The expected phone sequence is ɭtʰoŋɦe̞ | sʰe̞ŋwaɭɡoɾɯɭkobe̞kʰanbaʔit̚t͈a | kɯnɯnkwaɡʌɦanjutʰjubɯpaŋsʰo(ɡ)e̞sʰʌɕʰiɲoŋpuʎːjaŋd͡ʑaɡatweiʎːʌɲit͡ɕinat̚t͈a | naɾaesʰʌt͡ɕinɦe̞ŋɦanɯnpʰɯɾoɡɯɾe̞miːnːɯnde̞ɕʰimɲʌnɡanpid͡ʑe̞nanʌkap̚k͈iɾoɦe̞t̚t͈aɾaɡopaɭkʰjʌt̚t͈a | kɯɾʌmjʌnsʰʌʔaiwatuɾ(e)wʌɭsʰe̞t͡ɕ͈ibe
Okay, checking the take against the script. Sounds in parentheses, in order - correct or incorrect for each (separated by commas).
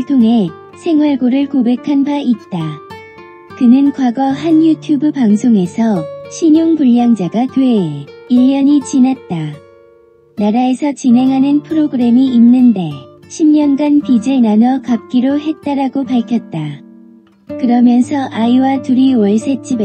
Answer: incorrect, incorrect